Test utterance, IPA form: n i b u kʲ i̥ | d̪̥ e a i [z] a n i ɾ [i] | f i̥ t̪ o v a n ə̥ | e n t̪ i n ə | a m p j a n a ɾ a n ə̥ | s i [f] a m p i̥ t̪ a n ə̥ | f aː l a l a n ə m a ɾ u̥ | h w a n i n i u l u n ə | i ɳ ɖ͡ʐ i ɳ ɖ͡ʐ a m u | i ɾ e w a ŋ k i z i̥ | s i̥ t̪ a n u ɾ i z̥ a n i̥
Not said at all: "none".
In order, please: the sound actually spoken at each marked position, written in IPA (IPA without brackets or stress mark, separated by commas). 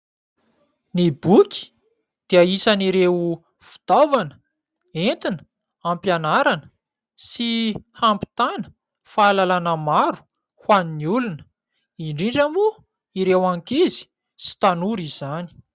s, e, h